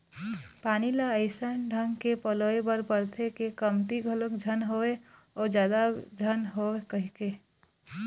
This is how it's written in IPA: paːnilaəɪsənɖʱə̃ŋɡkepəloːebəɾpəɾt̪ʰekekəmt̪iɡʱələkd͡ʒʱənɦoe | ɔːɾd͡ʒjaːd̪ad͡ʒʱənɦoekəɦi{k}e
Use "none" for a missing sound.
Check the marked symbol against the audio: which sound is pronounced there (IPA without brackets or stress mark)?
k